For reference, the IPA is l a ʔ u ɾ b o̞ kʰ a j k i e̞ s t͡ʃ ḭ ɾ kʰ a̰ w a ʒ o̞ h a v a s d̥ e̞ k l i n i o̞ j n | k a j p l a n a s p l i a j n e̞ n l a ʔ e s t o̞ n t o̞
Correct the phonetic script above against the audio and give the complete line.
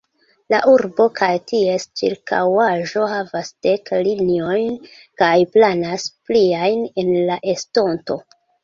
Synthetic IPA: l a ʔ u ɾ b o̞ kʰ a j t i e̞ s t͡ʃ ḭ ɾ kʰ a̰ w a ʒ o̞ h a v a s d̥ e̞ k l i n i o̞ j n | k a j p l a n a s p l i a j n e̞ n l a ʔ e s t o̞ n t o̞